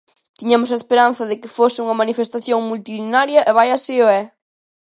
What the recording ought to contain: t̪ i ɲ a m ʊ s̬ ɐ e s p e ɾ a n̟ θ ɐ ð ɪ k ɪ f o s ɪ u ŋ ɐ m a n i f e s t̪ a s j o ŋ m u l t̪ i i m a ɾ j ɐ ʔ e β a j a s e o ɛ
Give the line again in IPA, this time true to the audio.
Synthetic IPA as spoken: t̪ i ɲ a m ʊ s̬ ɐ e s p e ɾ a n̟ θ ɐ ð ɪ k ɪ f o s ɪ u ŋ ɐ m a n i f e s t̪ a θ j o ŋ m u l t̪ i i n a ɾ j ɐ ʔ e β a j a s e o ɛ